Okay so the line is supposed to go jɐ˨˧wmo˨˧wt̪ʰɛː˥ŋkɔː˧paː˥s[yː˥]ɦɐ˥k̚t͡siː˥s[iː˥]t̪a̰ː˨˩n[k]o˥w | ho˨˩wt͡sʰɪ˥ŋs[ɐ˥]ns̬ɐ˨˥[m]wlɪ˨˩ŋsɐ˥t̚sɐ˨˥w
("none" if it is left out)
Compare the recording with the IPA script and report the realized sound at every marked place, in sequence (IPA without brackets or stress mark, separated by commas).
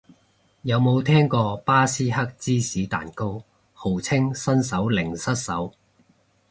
iː˥, iː˨˥, k, ɐ˥, none